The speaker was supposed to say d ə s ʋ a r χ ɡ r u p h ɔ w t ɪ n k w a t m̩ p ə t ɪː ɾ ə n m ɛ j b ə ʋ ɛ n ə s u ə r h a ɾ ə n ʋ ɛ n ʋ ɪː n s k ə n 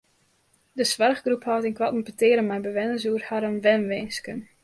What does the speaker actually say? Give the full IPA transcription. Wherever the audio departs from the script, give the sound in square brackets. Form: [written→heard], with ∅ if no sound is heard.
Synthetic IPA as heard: d ə s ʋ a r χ ɡ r u p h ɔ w t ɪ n k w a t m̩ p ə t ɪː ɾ ə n m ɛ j b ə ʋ ɛ n ə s u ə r h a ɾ ə n ʋ ɛ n ʋ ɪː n s k ə n